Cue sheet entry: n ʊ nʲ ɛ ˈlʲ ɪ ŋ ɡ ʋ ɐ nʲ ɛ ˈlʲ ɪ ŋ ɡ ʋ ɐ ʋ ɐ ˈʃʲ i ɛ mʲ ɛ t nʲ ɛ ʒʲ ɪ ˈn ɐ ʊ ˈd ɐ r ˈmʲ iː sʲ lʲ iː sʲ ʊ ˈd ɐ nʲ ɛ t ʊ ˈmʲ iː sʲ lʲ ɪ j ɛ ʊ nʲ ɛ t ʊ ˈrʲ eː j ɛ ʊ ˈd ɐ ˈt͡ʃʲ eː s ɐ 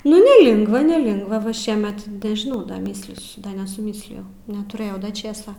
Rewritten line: n ʊ nʲ ɛ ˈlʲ ɪ ŋ ɡ ʋ ɐ nʲ ɛ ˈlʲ ɪ ŋ ɡ ʋ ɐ ʋ ɐ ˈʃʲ i ɛ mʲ ɛ t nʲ ɛ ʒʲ ɪ ˈn ɐ ʊ ˈd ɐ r ˈmʲ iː sʲ lʲ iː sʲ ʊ ˈd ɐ nʲ ɛ s ʊ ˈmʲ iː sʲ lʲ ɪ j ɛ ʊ nʲ ɛ t ʊ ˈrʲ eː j ɛ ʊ ˈd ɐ ˈt͡ʃʲ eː s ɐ